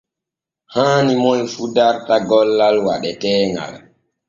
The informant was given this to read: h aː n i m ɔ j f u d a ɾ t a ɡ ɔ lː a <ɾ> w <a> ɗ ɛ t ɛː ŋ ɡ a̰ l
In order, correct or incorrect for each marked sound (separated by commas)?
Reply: incorrect, correct